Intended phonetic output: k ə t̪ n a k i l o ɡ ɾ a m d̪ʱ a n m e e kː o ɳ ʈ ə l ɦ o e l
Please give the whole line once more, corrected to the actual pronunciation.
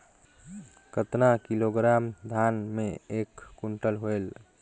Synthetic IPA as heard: k ə t̪ n a k i l o ɡ ɾ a m d̪ʱ a n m e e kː u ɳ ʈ ə l ɦ o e l